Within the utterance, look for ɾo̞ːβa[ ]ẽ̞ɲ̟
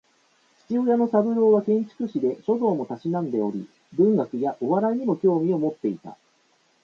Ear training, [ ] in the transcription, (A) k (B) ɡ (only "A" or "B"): A